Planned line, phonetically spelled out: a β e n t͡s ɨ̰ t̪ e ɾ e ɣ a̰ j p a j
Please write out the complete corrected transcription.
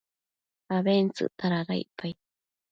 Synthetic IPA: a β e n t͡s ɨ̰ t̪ a ɾ a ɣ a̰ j p a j